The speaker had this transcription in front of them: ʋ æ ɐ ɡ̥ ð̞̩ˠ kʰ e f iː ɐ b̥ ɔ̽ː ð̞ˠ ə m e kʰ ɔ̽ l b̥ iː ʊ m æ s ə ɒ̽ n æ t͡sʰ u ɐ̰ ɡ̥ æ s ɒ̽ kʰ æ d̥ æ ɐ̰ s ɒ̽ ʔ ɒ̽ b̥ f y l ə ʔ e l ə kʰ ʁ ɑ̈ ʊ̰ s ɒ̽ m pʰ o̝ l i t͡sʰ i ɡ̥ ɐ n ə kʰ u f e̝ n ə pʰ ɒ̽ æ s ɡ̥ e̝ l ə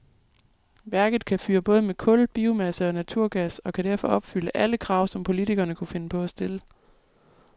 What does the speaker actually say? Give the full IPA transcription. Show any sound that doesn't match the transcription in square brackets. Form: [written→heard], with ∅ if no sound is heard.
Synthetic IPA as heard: ʋ æ ɐ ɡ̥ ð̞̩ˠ kʰ [e→æ] f [iː→yː] ɐ b̥ ɔ̽ː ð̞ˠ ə m e kʰ ɔ̽ l b̥ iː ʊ m æ s ə ɒ̽ n æ t͡sʰ u ɐ̰ ɡ̥ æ s ɒ̽ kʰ æ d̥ æ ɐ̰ [s→f] ɒ̽ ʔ ɒ̽ b̥ f y l ə ʔ [e→æ] l ə kʰ ʁ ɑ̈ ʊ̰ s ɒ̽ m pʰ o̝ l i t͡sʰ i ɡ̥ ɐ n ə kʰ u f e̝ n ə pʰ ɒ̽ æ s [ɡ̥→d̥] e̝ l ə

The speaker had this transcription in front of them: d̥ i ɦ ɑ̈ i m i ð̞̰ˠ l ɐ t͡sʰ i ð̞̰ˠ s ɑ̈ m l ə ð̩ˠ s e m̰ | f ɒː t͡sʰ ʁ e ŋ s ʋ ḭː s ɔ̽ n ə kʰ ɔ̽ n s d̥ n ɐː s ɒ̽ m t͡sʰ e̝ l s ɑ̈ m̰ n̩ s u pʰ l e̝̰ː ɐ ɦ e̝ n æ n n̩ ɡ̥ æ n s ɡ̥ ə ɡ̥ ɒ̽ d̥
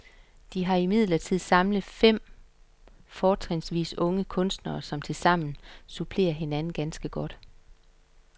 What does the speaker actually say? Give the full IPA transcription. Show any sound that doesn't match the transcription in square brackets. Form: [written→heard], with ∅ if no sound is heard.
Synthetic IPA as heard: d̥ i ɦ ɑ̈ i m i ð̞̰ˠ l ɐ t͡sʰ i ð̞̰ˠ s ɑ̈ m l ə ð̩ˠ [s→f] e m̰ | f ɒː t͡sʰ ʁ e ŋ s ʋ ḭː s ɔ̽ [n→ŋ] ə kʰ ɔ̽ n s d̥ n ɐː s ɒ̽ m t͡sʰ e̝ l s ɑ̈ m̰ n̩ s u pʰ l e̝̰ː ɐ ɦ e̝ n æ n n̩ ɡ̥ æ n s ɡ̥ ə ɡ̥ ɒ̽ d̥

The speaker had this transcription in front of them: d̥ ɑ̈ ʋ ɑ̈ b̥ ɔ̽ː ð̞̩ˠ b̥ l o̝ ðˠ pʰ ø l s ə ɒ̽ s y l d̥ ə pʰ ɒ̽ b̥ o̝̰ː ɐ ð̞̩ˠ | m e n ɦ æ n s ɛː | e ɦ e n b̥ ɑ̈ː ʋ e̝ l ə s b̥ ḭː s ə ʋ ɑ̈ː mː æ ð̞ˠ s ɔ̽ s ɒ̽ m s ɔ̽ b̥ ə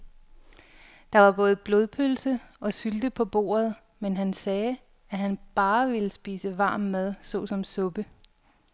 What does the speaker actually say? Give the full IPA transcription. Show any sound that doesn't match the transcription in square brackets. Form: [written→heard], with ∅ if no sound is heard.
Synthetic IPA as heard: d̥ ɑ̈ ʋ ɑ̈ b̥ ɔ̽ː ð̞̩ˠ b̥ l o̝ ðˠ pʰ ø l s ə ɒ̽ s y l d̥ ə pʰ ɒ̽ b̥ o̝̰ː ɐ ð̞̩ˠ | m e n ɦ æ n s ɛː | [e→æ] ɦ [e→æ] n b̥ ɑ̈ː ʋ e̝ l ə s b̥ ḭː s ə ʋ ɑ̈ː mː æ ð̞ˠ s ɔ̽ s ɒ̽ m s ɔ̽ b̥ ə

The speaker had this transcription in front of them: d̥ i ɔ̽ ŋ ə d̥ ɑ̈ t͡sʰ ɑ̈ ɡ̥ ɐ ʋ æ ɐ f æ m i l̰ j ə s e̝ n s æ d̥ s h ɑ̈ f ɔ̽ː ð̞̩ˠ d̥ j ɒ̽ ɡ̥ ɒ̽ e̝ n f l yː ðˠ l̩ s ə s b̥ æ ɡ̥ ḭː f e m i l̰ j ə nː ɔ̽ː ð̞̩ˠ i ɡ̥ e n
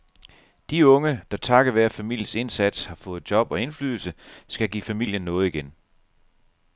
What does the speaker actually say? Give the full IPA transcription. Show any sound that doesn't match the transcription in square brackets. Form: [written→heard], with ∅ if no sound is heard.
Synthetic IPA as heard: d̥ i ɔ̽ ŋ ə d̥ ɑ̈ t͡sʰ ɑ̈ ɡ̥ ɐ ʋ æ ɐ f æ m i l̰ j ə s e̝ n s æ d̥ s h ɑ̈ f ɔ̽ː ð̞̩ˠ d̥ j ɒ̽ [ɡ̥→b̥] ɒ̽ e̝ n f l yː ðˠ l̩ s ə s [b̥→ɡ̥] æ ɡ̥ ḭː f [e→æ] m i l̰ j ə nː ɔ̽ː ð̞̩ˠ i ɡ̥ e n

